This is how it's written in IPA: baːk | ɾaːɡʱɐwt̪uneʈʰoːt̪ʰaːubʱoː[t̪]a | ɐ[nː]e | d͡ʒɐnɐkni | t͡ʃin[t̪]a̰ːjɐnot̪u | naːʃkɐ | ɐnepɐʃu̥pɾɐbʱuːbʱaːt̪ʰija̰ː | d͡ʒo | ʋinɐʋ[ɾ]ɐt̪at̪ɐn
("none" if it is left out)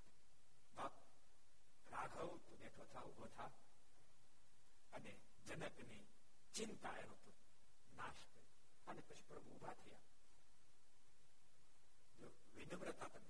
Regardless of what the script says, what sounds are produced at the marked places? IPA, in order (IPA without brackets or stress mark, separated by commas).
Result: t̪ʰ, n, t̪, ɾ